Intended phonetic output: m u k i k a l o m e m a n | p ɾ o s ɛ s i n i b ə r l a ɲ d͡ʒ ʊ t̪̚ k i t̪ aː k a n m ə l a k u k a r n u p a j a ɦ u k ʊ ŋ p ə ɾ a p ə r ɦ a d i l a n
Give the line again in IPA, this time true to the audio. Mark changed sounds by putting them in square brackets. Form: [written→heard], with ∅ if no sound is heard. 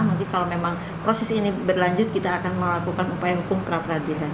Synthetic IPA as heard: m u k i k a l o m e m a [n→ŋ] | p ɾ o s ɛ s i n i b ə r l a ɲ d͡ʒ ʊ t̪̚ k i t̪ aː k a n m ə l a k u k a [r→∅] n u p a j a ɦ u k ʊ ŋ p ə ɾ a p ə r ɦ a d i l a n